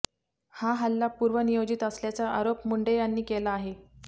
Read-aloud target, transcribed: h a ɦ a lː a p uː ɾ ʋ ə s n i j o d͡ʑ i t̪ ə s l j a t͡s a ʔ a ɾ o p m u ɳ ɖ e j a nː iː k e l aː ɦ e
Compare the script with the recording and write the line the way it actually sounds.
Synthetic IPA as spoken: h a ɦ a lː a p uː ɾ ʋ ə n i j o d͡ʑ i t̪ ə s l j a t͡s a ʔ a ɾ o p m u ɳ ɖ e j a nː iː k e l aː ɦ e